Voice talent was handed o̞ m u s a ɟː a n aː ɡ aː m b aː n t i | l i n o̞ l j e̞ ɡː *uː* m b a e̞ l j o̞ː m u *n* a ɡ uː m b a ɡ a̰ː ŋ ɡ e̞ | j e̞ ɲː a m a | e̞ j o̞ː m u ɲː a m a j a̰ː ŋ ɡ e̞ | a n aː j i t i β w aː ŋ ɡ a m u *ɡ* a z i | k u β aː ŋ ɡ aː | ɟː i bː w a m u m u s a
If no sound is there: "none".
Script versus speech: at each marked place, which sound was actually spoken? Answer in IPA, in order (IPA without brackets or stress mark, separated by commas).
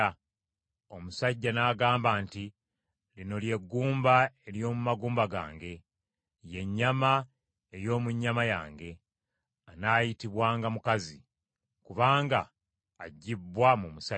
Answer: uː, m, k